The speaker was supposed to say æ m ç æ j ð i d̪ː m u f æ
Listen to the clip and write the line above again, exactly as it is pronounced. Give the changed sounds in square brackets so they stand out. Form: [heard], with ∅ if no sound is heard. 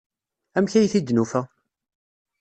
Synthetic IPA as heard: æ m ç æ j [θ] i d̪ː [n] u f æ